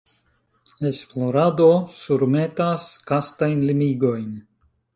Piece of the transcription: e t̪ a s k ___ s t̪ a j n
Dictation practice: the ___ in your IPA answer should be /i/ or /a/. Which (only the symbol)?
a